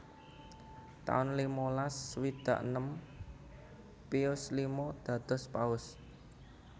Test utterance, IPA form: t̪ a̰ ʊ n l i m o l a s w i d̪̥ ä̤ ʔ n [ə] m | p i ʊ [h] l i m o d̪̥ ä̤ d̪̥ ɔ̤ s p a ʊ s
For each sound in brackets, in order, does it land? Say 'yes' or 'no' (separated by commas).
yes, no